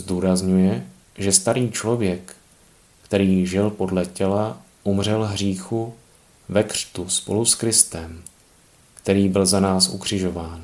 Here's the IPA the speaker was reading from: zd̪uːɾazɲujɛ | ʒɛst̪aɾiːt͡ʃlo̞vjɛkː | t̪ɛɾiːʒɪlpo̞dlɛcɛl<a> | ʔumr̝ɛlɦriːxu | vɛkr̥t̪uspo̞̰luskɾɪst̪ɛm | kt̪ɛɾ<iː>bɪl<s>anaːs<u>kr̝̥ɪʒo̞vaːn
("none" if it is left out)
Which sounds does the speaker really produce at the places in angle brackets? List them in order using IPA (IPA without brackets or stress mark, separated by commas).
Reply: a, iː, z, u